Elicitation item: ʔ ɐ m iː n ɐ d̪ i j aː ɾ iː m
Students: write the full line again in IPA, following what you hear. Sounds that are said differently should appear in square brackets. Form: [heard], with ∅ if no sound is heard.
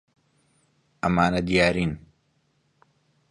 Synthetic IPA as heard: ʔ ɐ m [aː] n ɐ d̪ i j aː ɾ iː [n]

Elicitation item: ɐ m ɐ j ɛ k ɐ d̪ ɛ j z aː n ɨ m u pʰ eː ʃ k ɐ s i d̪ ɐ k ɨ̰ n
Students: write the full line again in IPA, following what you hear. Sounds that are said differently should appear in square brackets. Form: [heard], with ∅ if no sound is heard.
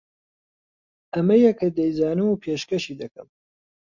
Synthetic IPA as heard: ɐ m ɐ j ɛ k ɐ d̪ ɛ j z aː n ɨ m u pʰ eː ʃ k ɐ [ʃ] i d̪ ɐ k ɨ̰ [m]

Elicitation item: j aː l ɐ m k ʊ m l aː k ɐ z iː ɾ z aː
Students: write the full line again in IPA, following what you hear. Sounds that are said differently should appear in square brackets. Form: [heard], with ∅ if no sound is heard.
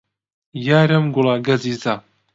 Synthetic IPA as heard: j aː [ɾ] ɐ m [ɡ] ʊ [∅] l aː [ɡ] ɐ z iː [∅] z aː

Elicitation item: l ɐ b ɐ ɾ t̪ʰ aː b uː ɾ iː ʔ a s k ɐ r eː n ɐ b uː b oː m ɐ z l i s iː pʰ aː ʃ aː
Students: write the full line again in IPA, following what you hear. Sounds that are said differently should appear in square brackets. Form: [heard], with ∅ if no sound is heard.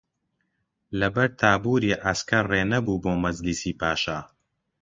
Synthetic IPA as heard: l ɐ b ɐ ɾ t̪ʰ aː b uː ɾ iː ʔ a s k ɐ r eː n ɐ b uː b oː m ɐ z l i s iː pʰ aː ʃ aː

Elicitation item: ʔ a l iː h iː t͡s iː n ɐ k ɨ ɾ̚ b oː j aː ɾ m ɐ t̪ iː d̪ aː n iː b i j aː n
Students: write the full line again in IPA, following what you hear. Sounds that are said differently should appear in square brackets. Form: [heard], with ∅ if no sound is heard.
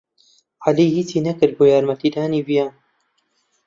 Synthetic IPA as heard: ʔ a l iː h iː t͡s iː n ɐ k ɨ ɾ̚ b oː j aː ɾ m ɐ t̪ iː d̪ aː n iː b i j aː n

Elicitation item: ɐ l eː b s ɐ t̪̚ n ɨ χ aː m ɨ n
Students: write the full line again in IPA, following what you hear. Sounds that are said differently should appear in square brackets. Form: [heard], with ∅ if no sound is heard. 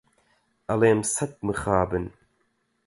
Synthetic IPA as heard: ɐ l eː [m] s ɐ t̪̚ [m] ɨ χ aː [b] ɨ n

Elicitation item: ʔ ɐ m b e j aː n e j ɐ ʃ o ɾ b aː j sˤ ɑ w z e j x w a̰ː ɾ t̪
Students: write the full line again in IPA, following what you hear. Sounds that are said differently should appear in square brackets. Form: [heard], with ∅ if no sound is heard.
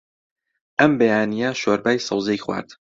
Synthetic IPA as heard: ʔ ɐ m b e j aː n [i] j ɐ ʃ o ɾ b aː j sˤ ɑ w z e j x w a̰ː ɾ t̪

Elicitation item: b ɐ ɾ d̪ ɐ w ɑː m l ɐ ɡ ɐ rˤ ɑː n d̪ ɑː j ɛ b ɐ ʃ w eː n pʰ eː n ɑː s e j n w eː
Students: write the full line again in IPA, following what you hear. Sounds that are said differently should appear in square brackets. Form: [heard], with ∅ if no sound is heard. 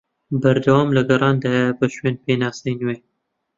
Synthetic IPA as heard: b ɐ ɾ d̪ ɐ w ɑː m l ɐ ɡ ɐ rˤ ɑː n d̪ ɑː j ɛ b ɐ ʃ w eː n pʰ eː n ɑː s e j n w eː

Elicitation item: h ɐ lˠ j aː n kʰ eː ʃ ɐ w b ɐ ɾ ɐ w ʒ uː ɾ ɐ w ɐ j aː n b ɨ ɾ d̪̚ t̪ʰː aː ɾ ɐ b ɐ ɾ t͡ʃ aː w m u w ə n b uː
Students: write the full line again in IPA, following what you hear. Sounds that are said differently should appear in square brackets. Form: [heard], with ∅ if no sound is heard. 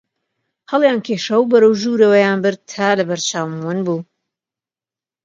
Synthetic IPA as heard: h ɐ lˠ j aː n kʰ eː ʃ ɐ w b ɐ ɾ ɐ w ʒ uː ɾ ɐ w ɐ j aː n b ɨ ɾ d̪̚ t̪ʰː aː [l] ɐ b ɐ ɾ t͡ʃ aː w m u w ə n b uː

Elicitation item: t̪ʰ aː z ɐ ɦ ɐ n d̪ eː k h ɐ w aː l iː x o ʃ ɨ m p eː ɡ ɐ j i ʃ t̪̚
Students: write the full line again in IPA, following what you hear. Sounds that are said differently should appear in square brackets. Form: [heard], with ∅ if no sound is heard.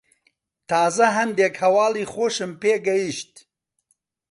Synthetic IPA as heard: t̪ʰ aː z ɐ ɦ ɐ n d̪ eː k h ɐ w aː l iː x o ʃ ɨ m p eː ɡ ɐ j i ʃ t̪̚

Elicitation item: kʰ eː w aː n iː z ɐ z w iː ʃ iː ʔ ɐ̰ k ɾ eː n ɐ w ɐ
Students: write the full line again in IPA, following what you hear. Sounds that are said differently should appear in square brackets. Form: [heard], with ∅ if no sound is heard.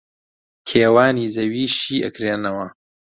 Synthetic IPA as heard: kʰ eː w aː n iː z ɐ [∅] w iː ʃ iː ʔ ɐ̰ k ɾ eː n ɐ w ɐ

